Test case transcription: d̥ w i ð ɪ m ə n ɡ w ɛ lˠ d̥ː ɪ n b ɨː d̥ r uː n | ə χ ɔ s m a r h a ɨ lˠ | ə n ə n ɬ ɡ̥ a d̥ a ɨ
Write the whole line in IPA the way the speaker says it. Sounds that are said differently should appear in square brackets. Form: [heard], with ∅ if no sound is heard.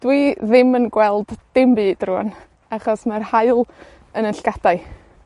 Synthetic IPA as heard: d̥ w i ð ɪ m ə n ɡ w ɛ lˠ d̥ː ɪ [m] b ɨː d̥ r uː n | [a] χ ɔ s m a r h a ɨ lˠ | ə n ə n ɬ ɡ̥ a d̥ a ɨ